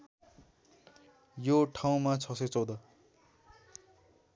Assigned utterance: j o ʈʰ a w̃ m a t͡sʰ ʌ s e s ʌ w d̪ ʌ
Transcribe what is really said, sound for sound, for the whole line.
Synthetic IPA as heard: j o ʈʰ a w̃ m a t͡sʰ ʌ s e t͡s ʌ w d̪ ʌ

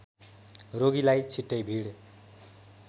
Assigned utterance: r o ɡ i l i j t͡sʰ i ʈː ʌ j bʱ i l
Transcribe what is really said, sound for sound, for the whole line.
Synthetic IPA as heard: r o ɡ i l a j t͡sʰ i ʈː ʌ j bʱ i ɽ

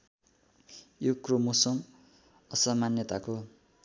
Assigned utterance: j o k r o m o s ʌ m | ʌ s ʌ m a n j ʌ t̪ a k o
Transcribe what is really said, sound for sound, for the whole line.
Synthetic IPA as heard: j o k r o m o s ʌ m | ʌ s ʌ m a n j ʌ t̪ a k o

